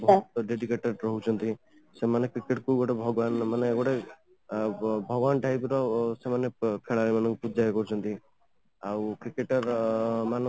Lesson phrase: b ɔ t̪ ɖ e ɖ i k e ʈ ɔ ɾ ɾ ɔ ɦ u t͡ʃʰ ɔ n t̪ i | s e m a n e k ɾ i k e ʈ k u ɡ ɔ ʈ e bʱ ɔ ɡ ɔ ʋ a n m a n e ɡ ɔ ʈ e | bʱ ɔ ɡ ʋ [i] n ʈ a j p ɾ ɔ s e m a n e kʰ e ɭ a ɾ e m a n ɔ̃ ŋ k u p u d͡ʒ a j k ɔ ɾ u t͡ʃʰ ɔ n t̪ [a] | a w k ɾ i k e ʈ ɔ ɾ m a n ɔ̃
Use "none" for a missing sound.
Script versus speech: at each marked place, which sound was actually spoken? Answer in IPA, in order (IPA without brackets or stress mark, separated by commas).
a, i